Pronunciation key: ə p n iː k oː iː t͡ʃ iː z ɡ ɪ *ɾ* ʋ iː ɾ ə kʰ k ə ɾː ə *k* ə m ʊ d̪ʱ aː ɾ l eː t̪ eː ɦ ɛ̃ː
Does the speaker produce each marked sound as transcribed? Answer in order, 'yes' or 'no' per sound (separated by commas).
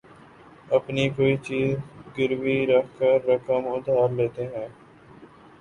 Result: yes, yes